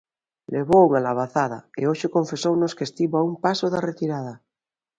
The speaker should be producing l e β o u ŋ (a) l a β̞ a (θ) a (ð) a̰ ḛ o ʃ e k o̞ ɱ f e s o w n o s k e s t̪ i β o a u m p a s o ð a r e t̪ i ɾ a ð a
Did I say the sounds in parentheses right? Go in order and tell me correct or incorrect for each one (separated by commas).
correct, correct, correct